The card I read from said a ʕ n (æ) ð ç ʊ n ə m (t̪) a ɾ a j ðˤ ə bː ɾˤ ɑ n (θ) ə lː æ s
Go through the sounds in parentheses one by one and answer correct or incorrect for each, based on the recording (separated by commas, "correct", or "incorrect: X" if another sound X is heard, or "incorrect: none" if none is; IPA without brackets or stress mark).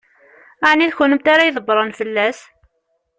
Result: incorrect: i, correct, incorrect: f